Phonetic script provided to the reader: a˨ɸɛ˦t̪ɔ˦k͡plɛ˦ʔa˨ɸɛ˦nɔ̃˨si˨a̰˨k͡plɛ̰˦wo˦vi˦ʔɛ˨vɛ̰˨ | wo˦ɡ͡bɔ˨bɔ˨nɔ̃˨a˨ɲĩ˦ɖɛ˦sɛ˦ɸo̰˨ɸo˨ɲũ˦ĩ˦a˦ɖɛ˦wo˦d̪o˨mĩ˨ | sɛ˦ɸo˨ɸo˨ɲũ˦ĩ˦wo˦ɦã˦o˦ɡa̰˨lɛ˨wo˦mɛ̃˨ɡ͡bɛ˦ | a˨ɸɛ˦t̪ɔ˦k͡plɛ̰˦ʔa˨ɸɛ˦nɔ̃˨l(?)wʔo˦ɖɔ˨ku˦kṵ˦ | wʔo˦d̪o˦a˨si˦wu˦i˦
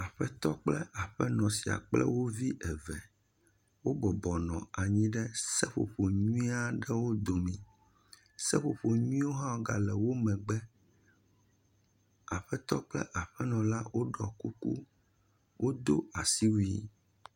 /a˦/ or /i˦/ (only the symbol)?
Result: a˦